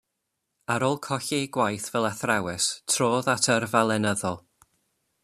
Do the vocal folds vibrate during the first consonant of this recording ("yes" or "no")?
yes